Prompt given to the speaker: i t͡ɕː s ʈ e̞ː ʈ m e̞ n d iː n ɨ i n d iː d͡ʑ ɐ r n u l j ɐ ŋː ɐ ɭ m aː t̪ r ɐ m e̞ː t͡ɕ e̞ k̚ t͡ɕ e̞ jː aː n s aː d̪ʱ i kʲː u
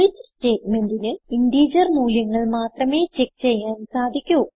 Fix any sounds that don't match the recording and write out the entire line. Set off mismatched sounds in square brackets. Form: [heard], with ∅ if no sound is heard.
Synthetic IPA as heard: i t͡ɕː s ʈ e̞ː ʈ m e̞ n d [i] n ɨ i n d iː d͡ʑ ɐ r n [uː] l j ɐ ŋː ɐ ɭ m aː t̪ r ɐ m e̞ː t͡ɕ e̞ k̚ t͡ɕ e̞ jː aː n s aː d̪ʱ i kʲː u